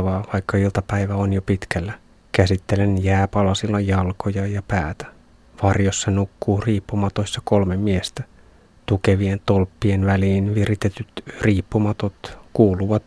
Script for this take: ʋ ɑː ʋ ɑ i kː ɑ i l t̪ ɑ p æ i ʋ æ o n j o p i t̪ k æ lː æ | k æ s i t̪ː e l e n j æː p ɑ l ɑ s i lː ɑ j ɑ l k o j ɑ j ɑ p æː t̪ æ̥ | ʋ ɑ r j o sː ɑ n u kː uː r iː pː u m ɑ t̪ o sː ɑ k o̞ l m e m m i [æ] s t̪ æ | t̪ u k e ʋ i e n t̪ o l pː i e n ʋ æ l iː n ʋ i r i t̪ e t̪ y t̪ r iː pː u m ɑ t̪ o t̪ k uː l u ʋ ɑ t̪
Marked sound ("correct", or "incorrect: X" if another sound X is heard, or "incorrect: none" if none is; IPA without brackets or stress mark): incorrect: e